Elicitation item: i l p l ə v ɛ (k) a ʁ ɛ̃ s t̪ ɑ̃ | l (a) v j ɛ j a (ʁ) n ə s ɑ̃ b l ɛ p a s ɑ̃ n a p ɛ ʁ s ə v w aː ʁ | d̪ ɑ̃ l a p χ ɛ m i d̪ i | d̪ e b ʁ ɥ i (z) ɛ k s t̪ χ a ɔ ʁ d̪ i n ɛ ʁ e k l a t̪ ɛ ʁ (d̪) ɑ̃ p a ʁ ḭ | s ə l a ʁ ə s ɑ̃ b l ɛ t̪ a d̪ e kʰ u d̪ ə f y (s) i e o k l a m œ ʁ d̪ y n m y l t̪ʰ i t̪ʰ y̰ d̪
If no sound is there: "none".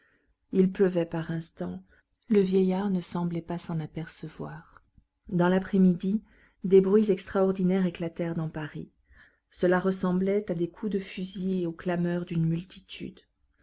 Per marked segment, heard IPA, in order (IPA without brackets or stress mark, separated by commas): p, ə, ʁ, z, d̪, z